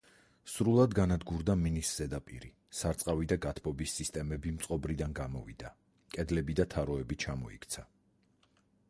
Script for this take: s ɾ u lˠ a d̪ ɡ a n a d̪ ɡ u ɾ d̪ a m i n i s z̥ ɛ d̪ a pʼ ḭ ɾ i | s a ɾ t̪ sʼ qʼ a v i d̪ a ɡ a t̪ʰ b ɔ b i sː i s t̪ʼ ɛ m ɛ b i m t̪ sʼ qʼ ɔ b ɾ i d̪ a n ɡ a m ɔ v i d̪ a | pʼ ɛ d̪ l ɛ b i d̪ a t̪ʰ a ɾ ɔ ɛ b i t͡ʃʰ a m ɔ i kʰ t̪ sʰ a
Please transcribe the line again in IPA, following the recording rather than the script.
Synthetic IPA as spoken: s ɾ u lˠ a d̪ ɡ a n a d̪ ɡ u ɾ d̪ a m i n i s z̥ ɛ d̪ a pʼ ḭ ɾ i | s a ɾ t̪ sʼ qʼ a v i d̪ a ɡ a t̪ʰ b ɔ b i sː i s t̪ʼ ɛ m ɛ b i m t̪ sʼ qʼ ɔ b ɾ i d̪ a n ɡ a m ɔ v i d̪ a | kʼ ɛ d̪ l ɛ b i d̪ a t̪ʰ a ɾ ɔ ɛ b i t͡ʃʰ a m ɔ i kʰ t̪ sʰ a